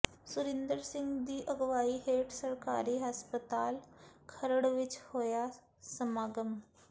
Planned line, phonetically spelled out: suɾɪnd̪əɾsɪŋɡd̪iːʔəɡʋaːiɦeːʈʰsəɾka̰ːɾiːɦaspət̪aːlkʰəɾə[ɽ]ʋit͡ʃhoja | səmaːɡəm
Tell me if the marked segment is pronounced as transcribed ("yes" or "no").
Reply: yes